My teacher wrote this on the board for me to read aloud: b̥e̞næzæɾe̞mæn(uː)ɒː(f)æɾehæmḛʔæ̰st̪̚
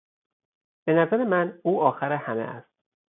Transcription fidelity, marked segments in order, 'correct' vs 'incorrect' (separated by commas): correct, incorrect